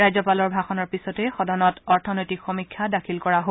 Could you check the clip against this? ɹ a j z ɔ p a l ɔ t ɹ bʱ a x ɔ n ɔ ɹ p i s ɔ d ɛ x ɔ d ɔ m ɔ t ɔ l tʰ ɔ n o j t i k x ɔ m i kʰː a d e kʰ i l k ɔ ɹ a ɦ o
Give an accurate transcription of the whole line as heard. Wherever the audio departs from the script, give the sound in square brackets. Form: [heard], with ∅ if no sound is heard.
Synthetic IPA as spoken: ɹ a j z ɔ p a l ɔ [∅] ɹ bʱ a x ɔ n ɔ ɹ p i s ɔ [t] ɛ x ɔ d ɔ [n] ɔ t ɔ [ɹ] tʰ ɔ n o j t i k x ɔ m i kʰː a d [a] kʰ i l k ɔ ɹ a ɦ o